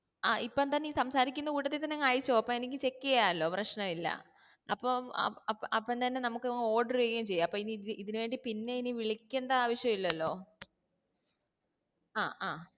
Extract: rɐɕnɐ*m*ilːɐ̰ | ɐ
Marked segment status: correct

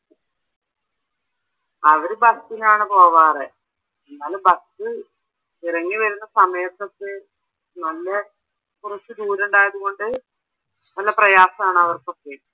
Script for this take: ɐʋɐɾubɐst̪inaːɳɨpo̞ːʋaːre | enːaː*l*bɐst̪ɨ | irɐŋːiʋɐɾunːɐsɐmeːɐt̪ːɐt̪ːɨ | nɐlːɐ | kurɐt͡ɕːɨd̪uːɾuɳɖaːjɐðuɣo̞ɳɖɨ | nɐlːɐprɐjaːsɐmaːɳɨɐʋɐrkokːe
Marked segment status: correct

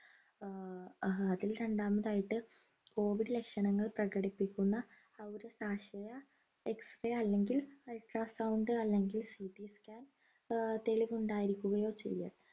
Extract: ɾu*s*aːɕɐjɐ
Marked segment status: correct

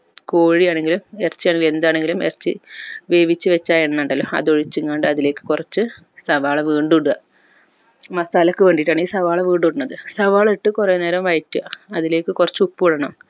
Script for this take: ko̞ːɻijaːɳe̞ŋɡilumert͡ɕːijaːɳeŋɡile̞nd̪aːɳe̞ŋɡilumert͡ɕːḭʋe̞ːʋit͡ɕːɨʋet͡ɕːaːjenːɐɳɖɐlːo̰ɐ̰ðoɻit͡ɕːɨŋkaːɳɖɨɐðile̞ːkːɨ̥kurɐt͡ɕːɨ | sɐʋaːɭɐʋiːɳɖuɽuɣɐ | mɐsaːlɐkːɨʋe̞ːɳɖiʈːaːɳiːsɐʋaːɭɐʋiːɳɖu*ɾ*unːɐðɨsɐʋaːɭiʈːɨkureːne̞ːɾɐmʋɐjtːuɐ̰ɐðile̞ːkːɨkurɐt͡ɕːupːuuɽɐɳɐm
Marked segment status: incorrect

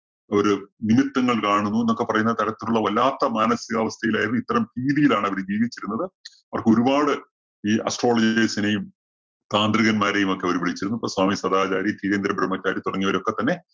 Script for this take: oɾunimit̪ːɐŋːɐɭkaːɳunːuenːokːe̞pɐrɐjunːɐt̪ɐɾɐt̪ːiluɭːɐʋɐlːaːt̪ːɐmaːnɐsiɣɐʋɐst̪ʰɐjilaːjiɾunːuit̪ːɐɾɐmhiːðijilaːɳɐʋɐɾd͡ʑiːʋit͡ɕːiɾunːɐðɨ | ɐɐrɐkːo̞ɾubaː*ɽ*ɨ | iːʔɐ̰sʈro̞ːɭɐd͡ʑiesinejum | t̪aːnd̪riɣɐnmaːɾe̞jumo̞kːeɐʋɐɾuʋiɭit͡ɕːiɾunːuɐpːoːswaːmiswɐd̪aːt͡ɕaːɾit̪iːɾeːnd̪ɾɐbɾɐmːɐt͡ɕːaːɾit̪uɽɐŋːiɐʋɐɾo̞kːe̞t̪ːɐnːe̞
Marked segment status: correct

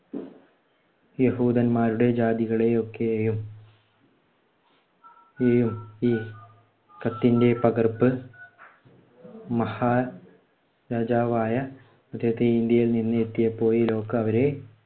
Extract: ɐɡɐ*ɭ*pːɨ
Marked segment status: incorrect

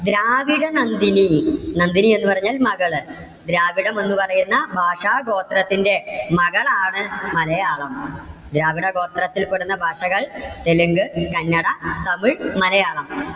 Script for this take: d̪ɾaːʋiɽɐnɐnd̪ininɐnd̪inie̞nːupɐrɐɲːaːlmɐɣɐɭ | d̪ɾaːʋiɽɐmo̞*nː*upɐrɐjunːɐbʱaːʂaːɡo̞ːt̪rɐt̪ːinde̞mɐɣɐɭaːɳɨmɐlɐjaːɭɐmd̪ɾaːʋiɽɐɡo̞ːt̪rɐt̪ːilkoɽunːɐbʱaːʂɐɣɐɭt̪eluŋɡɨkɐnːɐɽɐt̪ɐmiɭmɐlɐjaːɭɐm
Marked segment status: correct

